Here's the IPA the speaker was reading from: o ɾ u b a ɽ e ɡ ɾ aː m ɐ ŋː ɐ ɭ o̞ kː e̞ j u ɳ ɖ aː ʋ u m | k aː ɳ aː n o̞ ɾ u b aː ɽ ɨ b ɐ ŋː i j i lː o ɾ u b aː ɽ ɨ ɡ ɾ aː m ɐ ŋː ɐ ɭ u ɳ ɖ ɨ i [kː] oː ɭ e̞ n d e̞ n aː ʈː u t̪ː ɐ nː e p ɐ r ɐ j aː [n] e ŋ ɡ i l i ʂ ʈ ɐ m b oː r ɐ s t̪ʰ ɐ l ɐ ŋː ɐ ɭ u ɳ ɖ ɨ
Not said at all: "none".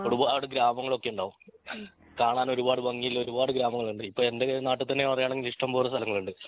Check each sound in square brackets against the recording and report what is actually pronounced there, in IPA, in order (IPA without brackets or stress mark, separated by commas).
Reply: pː, ɳ